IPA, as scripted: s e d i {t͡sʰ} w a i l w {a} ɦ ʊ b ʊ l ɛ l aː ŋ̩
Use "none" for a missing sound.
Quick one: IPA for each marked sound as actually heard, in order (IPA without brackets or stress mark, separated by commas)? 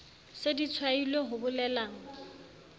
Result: t͡sʰ, e